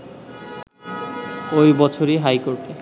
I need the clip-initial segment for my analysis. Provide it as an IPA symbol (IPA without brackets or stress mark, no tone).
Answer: o